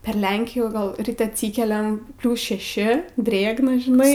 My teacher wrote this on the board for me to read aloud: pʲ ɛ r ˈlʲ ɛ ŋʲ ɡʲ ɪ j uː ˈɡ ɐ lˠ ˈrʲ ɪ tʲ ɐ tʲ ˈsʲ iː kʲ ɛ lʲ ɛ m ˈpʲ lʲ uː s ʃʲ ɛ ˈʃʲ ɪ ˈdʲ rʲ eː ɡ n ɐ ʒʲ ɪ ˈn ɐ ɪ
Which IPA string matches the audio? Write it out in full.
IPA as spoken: pʲ ɛ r ˈlʲ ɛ ŋʲ kʲ ɪ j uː ˈɡ ɐ lˠ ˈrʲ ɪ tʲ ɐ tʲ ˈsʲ iː kʲ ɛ lʲ ɛ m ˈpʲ lʲ uː s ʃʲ ɛ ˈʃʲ ɪ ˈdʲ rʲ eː ɡ n ɐ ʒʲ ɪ ˈn ɐ ɪ